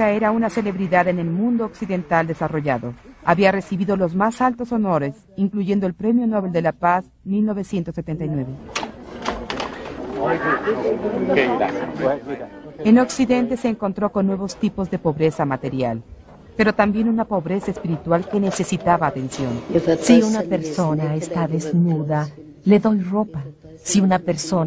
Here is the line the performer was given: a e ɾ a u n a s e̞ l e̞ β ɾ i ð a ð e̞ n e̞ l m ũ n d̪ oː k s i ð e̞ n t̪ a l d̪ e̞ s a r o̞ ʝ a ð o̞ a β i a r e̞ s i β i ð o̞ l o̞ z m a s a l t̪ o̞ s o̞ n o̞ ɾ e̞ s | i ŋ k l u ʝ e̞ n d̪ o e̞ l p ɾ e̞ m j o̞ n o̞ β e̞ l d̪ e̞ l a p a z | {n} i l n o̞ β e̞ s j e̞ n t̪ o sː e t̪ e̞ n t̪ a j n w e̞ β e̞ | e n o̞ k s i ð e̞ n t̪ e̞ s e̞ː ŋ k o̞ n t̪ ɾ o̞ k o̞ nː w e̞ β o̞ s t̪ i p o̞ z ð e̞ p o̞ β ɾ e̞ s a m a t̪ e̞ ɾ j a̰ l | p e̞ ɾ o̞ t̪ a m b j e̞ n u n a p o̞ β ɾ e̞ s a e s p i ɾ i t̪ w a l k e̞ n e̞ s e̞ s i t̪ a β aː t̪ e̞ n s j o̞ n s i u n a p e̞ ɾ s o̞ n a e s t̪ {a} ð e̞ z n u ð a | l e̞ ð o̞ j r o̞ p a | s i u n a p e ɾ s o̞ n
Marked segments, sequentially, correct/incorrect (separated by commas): incorrect, correct